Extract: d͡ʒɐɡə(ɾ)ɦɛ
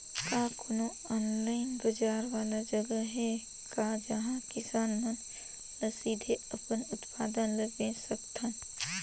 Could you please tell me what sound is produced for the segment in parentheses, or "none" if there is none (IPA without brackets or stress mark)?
none